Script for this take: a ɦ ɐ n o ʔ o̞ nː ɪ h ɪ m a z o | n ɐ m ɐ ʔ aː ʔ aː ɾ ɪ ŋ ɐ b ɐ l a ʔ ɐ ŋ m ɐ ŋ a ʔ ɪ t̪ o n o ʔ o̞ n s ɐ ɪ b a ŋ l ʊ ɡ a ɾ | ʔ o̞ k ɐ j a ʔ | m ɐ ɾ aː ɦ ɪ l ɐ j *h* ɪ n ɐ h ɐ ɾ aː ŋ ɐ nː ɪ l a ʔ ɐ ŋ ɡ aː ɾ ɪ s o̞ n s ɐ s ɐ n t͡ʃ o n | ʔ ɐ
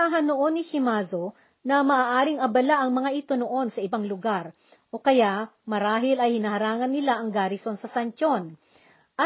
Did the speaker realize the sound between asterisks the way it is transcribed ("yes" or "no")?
yes